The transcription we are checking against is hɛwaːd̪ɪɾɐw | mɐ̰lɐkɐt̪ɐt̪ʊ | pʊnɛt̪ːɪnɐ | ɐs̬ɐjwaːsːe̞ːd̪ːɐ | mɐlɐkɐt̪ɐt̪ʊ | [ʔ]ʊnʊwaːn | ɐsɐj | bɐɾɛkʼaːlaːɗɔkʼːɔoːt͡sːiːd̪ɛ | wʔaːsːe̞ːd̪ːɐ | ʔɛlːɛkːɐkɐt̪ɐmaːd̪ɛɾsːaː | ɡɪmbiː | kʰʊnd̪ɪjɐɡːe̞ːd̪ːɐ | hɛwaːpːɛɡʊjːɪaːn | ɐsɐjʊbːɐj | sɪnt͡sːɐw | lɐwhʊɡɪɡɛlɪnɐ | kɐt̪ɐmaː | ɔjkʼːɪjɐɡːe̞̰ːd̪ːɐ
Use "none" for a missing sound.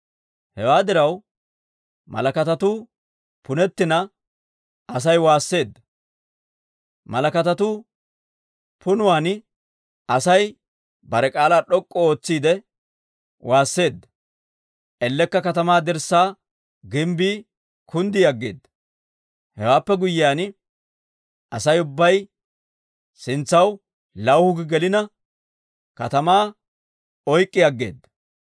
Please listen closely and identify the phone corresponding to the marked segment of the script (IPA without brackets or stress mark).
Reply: p